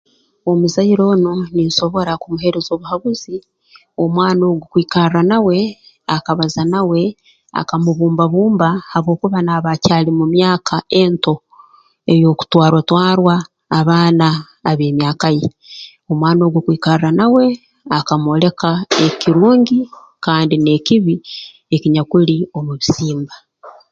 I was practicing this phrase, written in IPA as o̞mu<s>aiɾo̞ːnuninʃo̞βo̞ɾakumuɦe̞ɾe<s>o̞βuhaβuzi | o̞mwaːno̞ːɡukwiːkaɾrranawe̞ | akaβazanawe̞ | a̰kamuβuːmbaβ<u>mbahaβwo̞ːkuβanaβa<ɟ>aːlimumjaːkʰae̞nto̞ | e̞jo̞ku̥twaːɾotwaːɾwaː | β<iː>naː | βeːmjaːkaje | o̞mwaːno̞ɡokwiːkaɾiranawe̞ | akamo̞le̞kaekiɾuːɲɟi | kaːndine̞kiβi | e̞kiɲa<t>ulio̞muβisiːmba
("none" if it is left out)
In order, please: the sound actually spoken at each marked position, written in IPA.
z, z, uː, c, aː, k

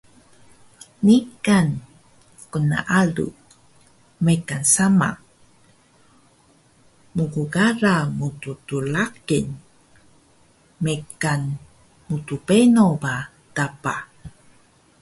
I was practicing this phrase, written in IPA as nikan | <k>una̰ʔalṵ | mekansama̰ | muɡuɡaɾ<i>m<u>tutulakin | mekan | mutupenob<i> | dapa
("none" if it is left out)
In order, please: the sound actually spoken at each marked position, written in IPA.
k, a, u, a

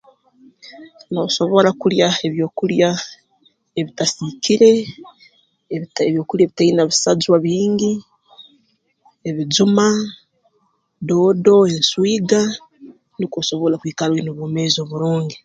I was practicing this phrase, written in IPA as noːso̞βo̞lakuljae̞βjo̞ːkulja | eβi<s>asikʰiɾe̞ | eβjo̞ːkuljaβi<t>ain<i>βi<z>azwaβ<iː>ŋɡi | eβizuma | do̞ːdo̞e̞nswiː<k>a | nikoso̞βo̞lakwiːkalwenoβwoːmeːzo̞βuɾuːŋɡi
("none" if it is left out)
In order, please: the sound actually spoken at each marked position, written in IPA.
t, t, a, s, iː, ɡ

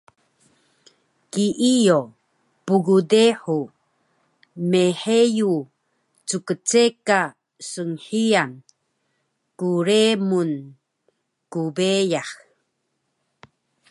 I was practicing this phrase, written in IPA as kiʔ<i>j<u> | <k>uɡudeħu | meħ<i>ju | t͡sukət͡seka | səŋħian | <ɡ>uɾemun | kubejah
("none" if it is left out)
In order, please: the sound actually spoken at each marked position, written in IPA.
i, o, p, e, k

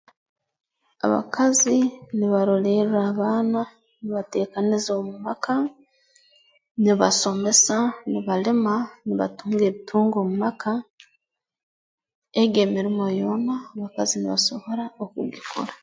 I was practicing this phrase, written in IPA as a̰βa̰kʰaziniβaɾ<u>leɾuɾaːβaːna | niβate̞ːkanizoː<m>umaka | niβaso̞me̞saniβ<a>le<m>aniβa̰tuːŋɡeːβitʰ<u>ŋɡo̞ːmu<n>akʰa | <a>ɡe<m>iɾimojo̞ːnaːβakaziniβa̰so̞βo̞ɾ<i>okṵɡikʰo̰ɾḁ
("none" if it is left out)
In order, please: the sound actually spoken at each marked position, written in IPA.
o, m, a, m, uː, m, e, m, a

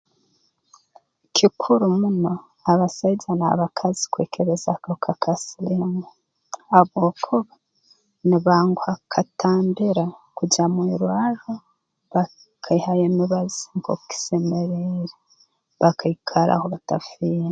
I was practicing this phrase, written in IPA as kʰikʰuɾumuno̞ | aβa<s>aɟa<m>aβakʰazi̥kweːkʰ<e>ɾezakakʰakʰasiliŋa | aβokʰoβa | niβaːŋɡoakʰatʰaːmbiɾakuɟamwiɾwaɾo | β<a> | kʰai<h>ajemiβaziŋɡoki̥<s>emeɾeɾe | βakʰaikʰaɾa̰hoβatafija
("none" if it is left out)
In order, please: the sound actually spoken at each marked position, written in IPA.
s, n, e, a, h, s

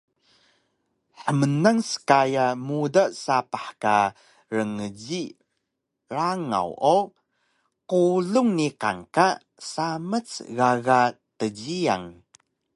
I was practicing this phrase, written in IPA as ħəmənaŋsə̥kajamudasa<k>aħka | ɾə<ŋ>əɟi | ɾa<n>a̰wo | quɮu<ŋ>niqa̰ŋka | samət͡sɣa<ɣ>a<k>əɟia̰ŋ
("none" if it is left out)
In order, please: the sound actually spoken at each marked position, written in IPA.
p, ŋ, ŋ, ŋ, ɣ, t

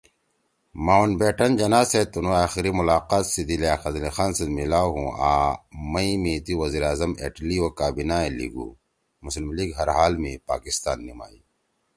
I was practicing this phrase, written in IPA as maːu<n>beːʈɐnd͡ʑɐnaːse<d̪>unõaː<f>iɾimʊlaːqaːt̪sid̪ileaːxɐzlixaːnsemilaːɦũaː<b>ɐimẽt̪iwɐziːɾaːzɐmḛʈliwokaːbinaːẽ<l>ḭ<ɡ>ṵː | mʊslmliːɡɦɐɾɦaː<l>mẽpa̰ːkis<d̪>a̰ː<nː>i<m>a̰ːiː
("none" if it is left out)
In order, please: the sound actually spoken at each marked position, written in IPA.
n, t̪, x, m, l, ɡ, l, t̪, nː, m

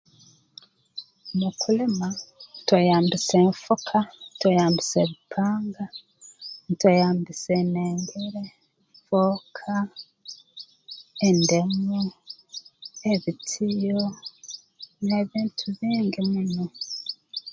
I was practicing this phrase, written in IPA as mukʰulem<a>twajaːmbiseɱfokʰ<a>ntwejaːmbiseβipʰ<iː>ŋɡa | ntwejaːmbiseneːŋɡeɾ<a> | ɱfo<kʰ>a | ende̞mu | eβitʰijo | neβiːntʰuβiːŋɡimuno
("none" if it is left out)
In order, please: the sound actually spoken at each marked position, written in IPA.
a, a, aː, e, kʰ

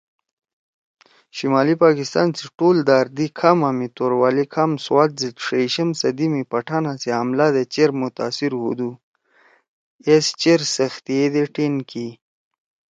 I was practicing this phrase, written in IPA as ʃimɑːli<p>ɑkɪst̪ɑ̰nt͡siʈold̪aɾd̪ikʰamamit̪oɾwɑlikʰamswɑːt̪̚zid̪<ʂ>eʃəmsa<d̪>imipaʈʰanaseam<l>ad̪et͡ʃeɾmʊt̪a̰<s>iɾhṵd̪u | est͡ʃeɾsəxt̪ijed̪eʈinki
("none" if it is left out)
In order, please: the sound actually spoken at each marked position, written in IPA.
p, ʂ, d̪, l, s

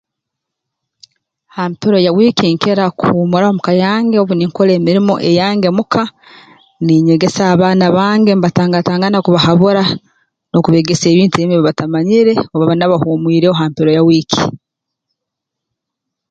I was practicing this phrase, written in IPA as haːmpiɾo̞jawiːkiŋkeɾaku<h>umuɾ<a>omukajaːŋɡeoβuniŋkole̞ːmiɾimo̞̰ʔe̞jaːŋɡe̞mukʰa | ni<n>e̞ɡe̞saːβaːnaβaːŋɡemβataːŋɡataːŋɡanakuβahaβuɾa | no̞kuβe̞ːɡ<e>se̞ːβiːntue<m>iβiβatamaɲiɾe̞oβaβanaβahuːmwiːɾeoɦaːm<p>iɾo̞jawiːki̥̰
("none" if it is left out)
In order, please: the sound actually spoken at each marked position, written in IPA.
h, a, ɲ, e, m, p

